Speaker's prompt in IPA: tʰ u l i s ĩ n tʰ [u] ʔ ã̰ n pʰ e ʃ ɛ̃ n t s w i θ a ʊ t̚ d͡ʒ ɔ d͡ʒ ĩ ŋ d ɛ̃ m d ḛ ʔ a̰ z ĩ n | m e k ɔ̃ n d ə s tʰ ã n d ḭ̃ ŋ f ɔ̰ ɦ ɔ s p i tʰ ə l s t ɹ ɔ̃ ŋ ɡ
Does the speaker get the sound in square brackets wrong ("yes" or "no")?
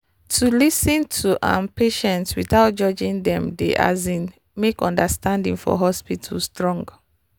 no